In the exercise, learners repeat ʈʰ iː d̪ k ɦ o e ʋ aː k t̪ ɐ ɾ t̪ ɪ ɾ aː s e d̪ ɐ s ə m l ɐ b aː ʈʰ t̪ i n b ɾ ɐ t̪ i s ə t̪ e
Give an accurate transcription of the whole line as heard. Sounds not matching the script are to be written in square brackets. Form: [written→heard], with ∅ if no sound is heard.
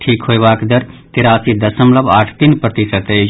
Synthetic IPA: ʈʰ iː [d̪→∅] k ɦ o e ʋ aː k [t̪→d̪] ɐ ɾ t̪ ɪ ɾ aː s [e→i] d̪ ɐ s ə m l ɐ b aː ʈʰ t̪ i n [b→p] ɾ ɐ t̪ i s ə t̪ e

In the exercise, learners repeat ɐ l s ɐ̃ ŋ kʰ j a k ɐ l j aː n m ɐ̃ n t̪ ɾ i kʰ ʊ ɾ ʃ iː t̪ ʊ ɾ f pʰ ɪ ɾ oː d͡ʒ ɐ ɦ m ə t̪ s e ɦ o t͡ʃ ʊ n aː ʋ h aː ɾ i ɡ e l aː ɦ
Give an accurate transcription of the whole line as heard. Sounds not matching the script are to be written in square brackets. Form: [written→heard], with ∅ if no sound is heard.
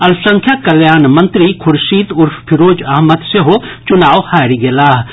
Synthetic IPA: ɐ l s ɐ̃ ŋ kʰ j a k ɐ l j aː n m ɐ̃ n t̪ ɾ i kʰ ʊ ɾ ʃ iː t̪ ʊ ɾ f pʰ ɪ ɾ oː d͡ʒ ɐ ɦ m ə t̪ s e ɦ o t͡ʃ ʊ n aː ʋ h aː ɾ i ɡ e l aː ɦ

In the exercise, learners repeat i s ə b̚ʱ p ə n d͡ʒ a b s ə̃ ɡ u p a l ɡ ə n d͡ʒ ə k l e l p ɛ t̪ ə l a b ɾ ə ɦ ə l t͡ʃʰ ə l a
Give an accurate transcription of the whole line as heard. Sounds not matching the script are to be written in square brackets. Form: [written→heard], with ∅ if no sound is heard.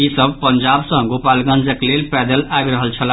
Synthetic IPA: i s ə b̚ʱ p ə n d͡ʒ a b s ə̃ ɡ [u→o] p a l ɡ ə n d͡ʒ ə k l e l p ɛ [t̪→d̪] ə l a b ɾ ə ɦ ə l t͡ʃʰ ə l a

